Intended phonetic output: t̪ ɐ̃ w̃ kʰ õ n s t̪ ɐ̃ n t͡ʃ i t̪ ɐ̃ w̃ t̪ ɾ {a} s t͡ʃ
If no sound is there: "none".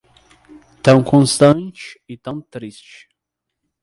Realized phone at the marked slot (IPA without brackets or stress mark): i